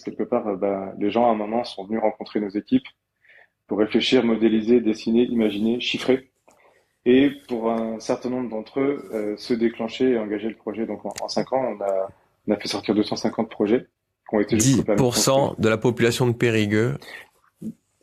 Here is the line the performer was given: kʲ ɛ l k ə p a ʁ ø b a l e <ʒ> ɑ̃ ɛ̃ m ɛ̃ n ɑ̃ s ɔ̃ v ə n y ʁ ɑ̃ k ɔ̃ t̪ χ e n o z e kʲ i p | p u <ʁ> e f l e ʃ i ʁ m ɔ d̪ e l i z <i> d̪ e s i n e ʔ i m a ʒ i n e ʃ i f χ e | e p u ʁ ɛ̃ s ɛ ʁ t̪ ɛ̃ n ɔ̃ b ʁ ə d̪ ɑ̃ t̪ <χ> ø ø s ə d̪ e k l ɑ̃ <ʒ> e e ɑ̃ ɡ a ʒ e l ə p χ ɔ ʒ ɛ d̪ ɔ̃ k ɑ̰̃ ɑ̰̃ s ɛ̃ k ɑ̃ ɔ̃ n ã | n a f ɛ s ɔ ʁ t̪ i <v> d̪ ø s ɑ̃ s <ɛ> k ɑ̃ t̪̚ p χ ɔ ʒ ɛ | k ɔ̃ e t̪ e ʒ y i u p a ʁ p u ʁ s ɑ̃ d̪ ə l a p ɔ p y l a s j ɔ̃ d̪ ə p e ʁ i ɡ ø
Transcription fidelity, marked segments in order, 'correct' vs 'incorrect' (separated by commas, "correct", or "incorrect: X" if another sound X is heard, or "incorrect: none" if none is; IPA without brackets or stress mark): correct, incorrect: ʁː, incorrect: e, correct, incorrect: ʃ, incorrect: ʁ, incorrect: ɛ̃